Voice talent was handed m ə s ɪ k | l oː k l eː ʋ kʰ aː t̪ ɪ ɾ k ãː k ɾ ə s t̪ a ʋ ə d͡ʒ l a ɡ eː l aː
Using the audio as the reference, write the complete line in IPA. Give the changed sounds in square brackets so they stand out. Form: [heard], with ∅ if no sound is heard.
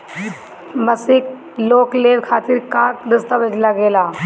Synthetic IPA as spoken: m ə s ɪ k | l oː k l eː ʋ kʰ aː t̪ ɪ ɾ k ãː k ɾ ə s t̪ a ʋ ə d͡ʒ l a ɡ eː l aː

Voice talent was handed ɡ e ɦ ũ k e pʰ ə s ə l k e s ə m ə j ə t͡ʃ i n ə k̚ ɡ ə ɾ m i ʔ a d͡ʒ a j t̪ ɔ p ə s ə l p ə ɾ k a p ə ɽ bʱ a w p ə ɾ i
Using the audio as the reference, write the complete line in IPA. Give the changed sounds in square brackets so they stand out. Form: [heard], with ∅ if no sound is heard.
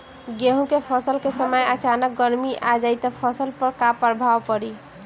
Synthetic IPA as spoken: ɡ e ɦ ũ k e pʰ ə s ə l k e s ə m ə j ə t͡ʃ [a] n ə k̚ ɡ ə ɾ m i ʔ a d͡ʒ a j t̪ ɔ [pʰ] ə s ə l p ə ɾ k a p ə [ɾ] bʱ a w p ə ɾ i

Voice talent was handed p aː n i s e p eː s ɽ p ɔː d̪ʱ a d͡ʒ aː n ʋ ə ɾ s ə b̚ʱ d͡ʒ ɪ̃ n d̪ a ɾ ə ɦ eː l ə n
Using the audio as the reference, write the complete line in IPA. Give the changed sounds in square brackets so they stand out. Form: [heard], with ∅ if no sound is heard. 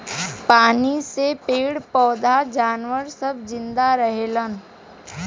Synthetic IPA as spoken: p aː n i s e p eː [∅] ɽ p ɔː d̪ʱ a d͡ʒ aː n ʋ ə ɾ s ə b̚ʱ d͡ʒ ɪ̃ n d̪ a ɾ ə ɦ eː l ə n

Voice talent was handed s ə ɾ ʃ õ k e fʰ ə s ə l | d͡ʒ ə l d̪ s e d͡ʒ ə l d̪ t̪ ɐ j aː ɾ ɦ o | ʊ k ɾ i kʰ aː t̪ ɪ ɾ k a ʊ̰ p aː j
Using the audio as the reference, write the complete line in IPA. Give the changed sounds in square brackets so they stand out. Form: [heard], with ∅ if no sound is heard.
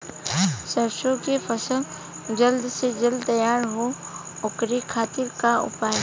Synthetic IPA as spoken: s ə ɾ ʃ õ k e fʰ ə s ə l | d͡ʒ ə l d̪ s e d͡ʒ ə l d̪ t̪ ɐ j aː ɾ ɦ o | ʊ k ɾ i kʰ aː t̪ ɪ ɾ k a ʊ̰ p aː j

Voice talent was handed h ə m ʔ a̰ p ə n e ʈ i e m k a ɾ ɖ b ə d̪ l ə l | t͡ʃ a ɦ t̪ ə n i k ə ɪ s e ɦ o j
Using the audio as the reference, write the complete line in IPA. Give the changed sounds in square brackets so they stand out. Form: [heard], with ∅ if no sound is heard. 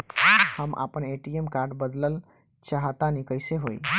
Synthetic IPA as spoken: h ə m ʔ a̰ p ə n e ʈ i e m k a ɾ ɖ b ə d̪ l ə l | t͡ʃ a ɦ t̪ [a] n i k ə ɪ s e ɦ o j

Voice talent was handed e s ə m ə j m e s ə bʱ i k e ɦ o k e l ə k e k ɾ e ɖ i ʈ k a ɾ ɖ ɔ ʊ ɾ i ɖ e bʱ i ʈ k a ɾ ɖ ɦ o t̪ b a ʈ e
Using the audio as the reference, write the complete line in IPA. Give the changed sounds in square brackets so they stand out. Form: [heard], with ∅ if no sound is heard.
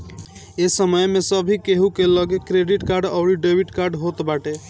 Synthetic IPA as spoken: e s ə m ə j m e s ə bʱ i k e ɦ [u] k e l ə [ɡ] e k ɾ e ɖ i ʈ k a ɾ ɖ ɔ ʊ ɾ i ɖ e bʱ i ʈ k a ɾ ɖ ɦ o t̪ b a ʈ e

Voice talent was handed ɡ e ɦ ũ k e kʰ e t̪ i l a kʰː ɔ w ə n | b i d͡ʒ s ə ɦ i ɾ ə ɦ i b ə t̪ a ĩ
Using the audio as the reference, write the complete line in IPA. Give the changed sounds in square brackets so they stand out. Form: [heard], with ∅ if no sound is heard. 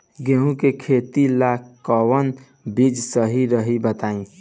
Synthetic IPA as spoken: ɡ e ɦ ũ k e kʰ e t̪ i l a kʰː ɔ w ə n | b i d͡ʒ s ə ɦ i ɾ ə ɦ i b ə t̪ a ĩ

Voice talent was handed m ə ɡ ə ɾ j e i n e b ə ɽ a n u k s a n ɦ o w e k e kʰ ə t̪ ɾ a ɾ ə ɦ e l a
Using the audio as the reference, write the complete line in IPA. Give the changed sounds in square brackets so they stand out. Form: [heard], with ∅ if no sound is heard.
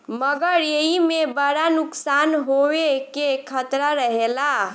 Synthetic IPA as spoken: m ə ɡ ə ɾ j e i [m] e b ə ɽ a n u k s a n ɦ o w e k e kʰ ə t̪ ɾ a ɾ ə ɦ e l a

